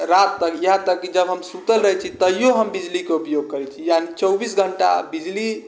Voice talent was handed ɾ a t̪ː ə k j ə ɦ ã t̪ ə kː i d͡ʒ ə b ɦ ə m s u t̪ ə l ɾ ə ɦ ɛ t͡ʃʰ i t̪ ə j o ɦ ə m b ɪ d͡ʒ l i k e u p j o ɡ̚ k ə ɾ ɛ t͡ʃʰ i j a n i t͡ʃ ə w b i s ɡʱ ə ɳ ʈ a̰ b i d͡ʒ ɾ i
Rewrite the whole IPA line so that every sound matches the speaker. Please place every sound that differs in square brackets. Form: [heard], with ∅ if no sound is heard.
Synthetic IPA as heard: ɾ a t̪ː ə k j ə ɦ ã t̪ ə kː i d͡ʒ ə b ɦ ə m s u t̪ ə l ɾ ə ɦ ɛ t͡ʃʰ i t̪ ə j o ɦ ə m b [i] d͡ʒ l i k e u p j o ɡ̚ k ə ɾ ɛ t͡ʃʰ i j a n i t͡ʃ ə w b i s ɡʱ ə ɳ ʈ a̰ b i d͡ʒ [l] i